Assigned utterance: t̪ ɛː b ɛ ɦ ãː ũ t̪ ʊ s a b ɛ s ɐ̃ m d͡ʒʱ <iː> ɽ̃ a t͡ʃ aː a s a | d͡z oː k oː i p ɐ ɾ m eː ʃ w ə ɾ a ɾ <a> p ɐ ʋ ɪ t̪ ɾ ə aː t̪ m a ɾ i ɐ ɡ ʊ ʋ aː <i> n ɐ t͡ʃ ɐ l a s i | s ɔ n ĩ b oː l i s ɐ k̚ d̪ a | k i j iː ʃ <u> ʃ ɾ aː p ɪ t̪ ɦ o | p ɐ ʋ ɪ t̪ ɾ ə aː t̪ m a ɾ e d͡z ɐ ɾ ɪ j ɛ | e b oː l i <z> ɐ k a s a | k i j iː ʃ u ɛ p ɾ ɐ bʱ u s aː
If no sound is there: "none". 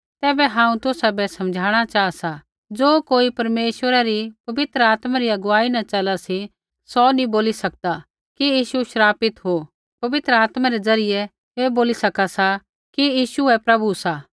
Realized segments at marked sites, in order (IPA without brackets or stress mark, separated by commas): aː, i, i, u, s